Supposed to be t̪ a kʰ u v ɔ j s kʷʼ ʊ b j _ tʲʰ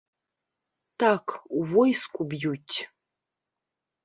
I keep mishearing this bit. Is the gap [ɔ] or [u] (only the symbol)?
u